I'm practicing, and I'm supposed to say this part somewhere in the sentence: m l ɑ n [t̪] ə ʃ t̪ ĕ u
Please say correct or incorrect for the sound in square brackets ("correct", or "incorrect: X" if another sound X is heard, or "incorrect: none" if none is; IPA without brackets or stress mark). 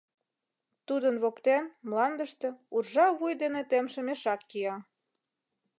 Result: incorrect: d̪